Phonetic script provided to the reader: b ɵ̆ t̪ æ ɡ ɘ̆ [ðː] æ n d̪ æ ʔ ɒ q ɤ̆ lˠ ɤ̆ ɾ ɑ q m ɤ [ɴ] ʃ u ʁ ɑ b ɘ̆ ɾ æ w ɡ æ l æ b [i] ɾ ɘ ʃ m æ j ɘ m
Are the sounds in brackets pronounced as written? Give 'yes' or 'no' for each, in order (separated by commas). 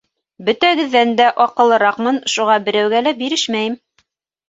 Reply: yes, no, yes